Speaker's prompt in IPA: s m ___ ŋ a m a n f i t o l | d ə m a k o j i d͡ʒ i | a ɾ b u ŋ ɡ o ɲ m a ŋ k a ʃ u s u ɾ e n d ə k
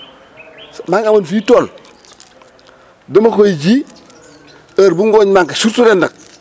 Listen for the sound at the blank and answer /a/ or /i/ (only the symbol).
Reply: a